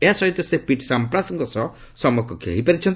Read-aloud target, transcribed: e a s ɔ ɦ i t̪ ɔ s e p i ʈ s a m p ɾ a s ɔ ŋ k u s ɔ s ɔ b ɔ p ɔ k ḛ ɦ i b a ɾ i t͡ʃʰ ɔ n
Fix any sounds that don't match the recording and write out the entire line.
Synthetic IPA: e a s ɔ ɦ i t̪ ɔ s e p i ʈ s a m p ɾ a s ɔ ŋ k ɔ s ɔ s ɔ m ɔ k ɔ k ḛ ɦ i p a ɾ i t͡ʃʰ ɔ n